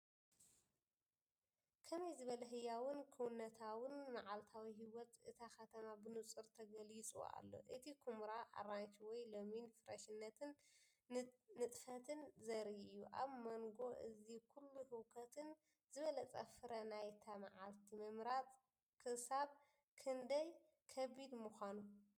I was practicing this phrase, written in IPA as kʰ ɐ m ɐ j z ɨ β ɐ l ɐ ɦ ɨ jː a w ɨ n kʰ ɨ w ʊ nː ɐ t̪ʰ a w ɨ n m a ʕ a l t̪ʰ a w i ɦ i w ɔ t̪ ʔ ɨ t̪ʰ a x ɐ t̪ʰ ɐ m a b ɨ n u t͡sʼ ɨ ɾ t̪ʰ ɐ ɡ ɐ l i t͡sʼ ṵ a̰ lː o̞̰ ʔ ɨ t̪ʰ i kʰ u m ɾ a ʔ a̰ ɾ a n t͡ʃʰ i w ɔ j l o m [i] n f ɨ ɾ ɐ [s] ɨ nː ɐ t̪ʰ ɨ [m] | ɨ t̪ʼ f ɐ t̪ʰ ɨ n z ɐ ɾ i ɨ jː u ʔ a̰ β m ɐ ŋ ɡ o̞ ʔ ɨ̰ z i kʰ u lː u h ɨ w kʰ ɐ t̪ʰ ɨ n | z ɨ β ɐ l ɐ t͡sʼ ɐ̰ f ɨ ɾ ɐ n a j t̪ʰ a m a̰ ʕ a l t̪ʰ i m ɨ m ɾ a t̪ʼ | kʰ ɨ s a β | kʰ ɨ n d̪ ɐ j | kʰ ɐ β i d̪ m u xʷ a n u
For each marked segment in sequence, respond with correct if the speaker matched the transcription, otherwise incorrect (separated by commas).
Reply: correct, incorrect, incorrect